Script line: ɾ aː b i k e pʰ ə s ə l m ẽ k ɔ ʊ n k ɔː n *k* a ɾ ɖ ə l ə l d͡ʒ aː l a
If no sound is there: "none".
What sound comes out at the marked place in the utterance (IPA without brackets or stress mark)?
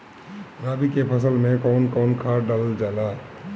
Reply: kʰ